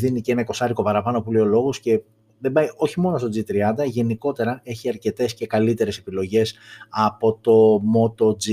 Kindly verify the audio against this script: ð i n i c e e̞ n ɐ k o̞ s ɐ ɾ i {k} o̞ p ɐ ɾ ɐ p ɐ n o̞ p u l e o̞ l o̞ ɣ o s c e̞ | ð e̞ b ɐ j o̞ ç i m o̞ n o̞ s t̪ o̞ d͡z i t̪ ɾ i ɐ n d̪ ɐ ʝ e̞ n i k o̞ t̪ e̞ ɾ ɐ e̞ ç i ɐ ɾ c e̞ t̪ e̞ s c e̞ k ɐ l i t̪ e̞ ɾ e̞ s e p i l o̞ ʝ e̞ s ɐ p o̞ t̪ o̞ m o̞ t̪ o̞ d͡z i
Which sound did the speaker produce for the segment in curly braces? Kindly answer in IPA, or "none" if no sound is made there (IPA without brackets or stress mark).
k